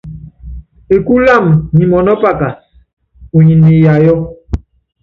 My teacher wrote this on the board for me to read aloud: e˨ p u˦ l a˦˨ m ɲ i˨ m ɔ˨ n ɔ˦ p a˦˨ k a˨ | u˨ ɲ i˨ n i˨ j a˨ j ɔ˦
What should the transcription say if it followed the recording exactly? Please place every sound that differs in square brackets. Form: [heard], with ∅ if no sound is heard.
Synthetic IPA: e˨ [k] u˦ l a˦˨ m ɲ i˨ m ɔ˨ n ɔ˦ p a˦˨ k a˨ | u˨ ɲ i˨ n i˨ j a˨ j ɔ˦